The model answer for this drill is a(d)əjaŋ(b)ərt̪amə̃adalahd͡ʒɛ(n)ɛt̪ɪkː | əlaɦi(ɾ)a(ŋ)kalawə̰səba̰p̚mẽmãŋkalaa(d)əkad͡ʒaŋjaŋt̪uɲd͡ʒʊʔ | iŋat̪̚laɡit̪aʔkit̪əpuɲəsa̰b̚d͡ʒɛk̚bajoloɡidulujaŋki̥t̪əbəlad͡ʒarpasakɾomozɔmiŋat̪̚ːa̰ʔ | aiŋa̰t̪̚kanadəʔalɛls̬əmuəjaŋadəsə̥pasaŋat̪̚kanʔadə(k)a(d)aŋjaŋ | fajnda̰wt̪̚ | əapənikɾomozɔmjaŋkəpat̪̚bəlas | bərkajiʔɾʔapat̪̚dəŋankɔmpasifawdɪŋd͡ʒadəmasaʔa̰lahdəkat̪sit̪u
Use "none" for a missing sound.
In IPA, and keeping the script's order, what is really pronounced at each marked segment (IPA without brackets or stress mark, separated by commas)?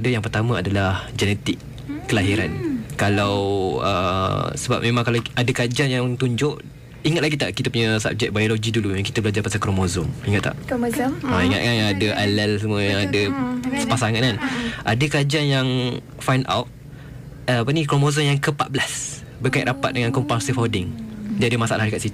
d, p, n, ɾ, n, d, k, d͡ʒ